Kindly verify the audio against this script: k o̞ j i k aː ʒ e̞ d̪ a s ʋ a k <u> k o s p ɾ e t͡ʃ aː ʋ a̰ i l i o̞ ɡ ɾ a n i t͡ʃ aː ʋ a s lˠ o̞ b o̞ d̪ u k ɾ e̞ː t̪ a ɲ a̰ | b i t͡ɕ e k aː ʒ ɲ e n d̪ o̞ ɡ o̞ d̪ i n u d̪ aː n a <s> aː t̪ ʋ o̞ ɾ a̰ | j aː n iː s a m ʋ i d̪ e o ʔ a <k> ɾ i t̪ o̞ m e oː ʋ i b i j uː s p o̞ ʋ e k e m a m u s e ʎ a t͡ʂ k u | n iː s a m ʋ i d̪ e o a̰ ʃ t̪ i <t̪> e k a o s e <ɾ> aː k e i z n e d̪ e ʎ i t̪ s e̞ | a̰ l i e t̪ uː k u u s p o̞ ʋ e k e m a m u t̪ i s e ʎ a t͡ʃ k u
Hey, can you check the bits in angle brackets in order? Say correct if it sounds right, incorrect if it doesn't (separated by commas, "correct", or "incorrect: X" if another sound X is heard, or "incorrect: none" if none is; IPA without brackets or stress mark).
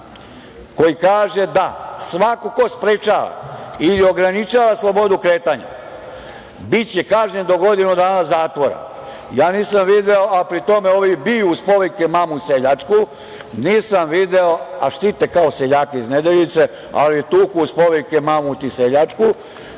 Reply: incorrect: o, incorrect: z, incorrect: p, correct, incorrect: ʎ